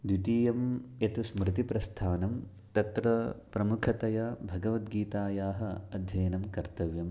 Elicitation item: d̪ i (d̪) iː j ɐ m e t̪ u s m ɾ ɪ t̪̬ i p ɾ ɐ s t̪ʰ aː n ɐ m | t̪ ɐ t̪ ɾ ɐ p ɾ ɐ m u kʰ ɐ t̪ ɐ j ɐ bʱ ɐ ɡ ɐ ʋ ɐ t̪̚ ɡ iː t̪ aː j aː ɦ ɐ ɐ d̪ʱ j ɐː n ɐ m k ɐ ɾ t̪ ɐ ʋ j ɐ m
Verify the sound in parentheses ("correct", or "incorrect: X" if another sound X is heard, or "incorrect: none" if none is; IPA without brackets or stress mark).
incorrect: t̪